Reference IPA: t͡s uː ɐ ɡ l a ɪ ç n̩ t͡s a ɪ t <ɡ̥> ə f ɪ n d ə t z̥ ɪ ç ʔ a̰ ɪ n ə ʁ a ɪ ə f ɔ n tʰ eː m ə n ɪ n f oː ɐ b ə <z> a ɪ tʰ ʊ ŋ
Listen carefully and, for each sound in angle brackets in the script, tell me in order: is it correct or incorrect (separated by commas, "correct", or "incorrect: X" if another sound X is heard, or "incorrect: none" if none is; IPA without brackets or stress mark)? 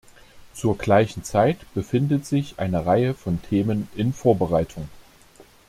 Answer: incorrect: b̥, incorrect: ʁ